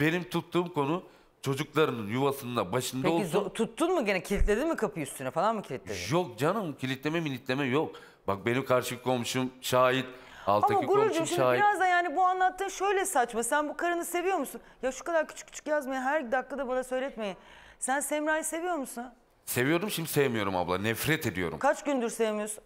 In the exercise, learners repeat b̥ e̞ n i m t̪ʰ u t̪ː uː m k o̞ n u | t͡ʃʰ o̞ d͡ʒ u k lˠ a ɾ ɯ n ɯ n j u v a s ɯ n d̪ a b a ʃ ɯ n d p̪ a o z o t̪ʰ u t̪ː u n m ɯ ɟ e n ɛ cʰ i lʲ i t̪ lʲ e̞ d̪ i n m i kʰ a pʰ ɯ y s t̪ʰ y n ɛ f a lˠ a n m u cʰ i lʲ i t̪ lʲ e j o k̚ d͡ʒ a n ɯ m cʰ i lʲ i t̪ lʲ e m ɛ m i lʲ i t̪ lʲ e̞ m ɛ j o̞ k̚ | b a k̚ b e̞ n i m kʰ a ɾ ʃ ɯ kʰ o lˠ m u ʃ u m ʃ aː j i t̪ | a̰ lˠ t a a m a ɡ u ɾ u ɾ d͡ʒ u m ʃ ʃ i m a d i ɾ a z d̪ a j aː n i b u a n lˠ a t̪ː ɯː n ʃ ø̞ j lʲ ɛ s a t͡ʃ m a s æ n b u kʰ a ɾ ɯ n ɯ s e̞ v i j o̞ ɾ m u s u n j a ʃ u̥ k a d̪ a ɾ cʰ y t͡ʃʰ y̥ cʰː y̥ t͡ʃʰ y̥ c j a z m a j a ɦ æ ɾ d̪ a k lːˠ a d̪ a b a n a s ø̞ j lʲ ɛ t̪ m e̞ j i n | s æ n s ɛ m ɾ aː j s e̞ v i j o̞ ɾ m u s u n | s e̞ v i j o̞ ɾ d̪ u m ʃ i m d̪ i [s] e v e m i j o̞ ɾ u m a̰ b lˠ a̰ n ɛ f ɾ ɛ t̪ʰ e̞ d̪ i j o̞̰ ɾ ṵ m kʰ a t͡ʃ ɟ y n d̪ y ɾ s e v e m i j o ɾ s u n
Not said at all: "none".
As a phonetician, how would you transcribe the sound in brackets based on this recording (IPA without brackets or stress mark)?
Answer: s